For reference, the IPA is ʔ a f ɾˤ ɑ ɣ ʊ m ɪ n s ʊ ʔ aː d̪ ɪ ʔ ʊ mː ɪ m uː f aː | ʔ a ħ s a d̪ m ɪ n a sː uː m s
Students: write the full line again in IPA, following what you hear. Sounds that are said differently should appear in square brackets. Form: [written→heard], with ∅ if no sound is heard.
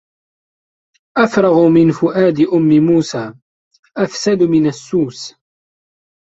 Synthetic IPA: ʔ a f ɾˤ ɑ ɣ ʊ m ɪ n [s→f] ʊ ʔ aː d̪ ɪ ʔ ʊ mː ɪ m uː [f→s] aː | ʔ a [ħ→f] s a d̪ m ɪ n a sː uː [m→∅] s